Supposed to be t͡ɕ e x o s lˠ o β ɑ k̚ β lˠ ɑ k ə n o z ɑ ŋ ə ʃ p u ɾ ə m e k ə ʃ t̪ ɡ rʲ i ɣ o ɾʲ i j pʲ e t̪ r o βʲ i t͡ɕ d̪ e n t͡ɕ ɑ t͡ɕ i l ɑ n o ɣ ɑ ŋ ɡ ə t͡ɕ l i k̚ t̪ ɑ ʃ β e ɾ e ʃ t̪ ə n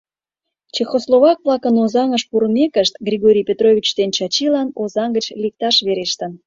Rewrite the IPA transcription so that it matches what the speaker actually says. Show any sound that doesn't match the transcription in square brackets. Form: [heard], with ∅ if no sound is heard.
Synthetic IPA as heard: t͡ɕ e x o s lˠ o β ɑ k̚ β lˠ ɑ k ə n o z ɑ ŋ ə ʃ p u ɾ ə m e k ə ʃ t̪ ɡ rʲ i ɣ o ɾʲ i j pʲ e t̪ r o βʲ i t͡ɕ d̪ e n t͡ɕ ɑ t͡ɕ i l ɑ n o [z] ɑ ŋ ɡ ə t͡ɕ l i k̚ t̪ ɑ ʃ β e ɾ e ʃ t̪ ə n